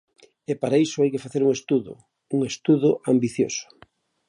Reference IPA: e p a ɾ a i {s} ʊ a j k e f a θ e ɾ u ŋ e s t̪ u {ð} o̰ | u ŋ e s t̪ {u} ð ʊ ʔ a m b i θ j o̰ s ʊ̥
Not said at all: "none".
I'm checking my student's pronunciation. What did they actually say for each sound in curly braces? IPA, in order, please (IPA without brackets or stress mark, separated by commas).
s, ð, u